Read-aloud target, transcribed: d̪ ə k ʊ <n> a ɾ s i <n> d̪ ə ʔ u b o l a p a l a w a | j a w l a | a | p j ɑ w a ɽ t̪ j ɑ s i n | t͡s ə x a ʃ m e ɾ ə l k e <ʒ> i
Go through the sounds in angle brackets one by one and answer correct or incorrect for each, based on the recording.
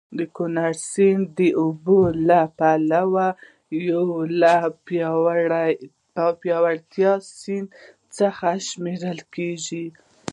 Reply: correct, correct, correct

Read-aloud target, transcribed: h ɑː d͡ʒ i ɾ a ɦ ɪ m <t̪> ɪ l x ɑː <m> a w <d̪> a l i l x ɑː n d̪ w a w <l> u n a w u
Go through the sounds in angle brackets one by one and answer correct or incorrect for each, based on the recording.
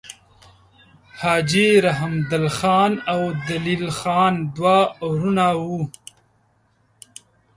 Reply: incorrect: d̪, incorrect: n, correct, incorrect: ɾ

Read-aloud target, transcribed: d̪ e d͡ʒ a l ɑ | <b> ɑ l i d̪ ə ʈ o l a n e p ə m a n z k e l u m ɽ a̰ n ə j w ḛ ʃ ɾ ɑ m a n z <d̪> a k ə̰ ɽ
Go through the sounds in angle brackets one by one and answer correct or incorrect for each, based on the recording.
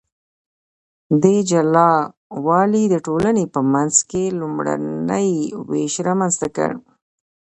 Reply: incorrect: w, incorrect: t̪

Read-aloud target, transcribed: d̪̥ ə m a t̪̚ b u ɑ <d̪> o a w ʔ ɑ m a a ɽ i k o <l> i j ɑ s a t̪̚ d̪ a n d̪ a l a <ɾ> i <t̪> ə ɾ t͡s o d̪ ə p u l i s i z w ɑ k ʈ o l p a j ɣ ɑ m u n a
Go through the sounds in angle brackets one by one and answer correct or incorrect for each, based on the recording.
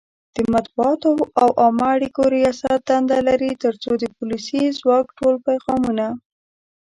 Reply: incorrect: t̪, incorrect: ɾ, correct, correct

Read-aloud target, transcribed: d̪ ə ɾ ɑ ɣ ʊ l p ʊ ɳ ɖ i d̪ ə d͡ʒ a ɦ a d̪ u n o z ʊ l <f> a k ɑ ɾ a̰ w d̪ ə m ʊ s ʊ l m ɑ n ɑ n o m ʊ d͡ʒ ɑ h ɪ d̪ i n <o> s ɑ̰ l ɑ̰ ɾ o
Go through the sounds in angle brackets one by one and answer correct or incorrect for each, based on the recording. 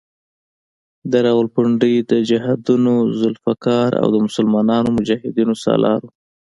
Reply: correct, correct

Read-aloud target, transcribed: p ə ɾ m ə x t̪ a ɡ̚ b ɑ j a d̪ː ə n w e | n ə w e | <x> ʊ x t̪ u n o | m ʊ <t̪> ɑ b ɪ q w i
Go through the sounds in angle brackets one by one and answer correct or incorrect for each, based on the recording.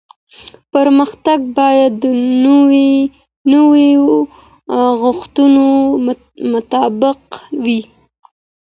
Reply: incorrect: ɣ, correct

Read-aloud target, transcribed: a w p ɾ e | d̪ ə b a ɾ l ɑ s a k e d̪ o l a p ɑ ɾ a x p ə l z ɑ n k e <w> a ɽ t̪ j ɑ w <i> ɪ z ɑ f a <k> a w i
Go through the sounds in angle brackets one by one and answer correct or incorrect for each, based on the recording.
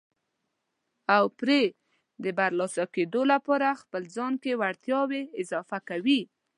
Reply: correct, incorrect: e, correct

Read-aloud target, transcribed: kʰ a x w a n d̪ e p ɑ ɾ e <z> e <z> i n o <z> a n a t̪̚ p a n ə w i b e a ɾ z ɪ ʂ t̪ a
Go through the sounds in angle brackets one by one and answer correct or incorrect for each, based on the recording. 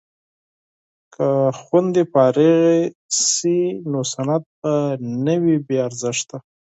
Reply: incorrect: ɣ, incorrect: s, incorrect: s

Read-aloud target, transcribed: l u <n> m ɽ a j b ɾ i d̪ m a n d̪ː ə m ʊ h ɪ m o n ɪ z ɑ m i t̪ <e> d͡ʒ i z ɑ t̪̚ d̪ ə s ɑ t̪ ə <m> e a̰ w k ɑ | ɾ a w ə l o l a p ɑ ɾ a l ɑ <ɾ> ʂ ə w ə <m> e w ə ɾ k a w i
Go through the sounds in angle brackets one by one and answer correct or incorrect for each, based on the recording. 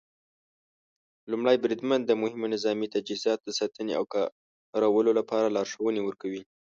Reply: incorrect: none, incorrect: a, incorrect: n, correct, incorrect: n

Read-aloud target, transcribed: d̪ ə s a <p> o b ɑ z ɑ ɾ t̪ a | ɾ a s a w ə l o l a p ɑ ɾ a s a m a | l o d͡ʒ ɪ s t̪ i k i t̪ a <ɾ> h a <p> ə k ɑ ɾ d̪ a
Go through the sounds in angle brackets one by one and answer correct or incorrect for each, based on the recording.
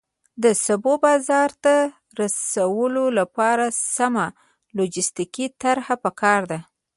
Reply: incorrect: b, correct, correct

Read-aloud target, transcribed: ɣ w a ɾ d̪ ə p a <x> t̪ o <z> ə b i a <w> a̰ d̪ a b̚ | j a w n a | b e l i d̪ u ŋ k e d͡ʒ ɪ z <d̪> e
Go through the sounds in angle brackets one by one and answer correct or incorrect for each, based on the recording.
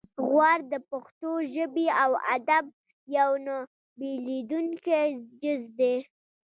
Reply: correct, incorrect: ʒ, correct, correct

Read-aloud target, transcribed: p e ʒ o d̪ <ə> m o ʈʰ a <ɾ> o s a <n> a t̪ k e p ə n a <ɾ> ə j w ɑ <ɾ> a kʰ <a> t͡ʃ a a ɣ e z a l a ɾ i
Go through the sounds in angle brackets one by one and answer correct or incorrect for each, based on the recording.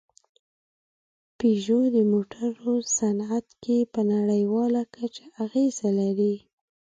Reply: correct, correct, correct, incorrect: ɽ, incorrect: l, correct

